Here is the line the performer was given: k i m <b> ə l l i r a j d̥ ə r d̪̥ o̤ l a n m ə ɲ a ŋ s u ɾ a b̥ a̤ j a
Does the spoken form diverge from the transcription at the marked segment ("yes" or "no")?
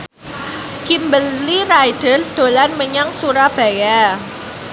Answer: no